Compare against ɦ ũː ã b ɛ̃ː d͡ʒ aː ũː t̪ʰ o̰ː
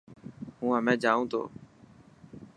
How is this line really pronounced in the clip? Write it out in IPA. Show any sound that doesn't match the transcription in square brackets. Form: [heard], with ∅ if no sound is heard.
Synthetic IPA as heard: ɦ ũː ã [m] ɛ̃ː d͡ʒ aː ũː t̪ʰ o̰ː